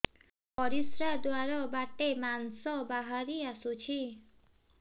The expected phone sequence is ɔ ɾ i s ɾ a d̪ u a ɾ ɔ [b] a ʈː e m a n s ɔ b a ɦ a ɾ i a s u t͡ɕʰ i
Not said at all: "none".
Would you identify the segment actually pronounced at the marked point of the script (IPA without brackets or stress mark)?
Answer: b